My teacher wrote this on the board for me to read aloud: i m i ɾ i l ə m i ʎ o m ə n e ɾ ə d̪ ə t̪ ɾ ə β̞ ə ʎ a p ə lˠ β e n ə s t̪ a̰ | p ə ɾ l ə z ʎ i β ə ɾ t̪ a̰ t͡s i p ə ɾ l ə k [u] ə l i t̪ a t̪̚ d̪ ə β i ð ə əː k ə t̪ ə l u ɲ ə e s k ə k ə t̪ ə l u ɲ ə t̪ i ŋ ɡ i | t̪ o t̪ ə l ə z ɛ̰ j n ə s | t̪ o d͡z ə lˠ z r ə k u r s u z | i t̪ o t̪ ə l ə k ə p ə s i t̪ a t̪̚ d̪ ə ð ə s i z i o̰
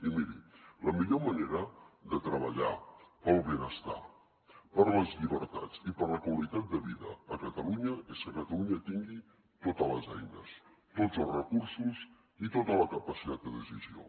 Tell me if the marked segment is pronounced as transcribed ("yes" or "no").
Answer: no